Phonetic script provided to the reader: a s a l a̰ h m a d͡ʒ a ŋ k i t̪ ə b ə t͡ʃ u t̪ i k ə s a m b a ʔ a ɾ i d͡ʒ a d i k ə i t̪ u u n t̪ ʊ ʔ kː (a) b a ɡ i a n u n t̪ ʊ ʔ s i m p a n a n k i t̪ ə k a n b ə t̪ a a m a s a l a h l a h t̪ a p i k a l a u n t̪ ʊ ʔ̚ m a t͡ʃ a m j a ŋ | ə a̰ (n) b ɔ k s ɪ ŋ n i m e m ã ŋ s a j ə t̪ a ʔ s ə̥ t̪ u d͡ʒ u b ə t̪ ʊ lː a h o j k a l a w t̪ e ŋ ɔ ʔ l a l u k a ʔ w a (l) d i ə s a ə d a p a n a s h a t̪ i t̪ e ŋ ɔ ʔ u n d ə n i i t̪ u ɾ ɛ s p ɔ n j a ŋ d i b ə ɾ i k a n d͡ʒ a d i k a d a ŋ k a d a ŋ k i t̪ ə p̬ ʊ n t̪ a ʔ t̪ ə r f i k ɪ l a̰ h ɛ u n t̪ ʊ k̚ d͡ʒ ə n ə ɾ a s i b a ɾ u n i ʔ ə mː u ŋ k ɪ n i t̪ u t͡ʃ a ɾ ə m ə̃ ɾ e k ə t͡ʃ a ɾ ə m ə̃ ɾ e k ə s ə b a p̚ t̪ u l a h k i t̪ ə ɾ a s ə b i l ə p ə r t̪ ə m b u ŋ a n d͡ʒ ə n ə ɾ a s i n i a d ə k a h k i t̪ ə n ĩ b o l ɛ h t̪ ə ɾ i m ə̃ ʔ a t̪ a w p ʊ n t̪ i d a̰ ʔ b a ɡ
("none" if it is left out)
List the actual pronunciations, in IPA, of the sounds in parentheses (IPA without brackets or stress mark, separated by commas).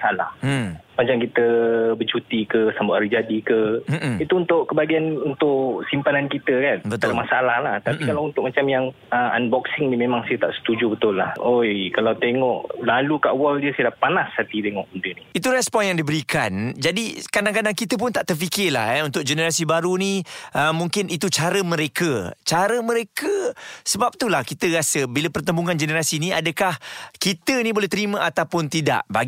ə, n, l